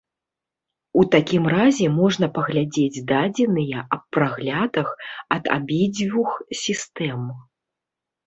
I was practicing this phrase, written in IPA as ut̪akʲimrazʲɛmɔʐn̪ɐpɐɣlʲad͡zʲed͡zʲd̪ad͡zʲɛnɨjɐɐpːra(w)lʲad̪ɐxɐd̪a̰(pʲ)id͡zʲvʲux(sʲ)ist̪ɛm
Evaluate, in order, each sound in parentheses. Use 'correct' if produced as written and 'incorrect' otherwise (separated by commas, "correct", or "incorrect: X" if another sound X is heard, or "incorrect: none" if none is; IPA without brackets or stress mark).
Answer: incorrect: ɣ, incorrect: bʲ, correct